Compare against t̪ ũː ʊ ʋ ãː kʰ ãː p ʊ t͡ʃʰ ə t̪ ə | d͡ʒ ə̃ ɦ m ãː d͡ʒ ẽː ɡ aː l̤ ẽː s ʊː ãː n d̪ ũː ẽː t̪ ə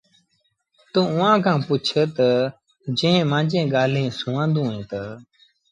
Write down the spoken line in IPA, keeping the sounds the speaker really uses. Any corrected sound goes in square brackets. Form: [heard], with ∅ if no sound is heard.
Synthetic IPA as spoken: t̪ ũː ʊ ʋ ãː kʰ ãː p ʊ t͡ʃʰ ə t̪ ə | d͡ʒ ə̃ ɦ m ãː d͡ʒ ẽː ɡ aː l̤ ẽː s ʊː ãː n d̪ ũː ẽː t̪ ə